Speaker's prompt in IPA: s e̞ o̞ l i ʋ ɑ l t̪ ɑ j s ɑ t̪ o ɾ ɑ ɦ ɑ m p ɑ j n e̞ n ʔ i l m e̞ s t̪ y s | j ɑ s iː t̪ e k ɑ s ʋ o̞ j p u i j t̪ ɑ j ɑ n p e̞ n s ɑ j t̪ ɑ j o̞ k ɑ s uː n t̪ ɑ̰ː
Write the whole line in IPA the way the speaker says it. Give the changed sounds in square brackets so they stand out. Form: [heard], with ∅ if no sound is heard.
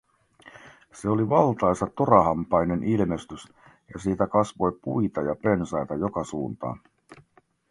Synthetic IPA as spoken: s e̞ o̞ l i ʋ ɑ l t̪ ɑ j s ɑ t̪ o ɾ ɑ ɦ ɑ m p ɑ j n e̞ n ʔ i l m e̞ s t̪ y s | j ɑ s iː t̪ [æ] k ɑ s ʋ o̞ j p u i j t̪ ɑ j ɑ [∅] p e̞ n s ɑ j t̪ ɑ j o̞ k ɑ s uː n t̪ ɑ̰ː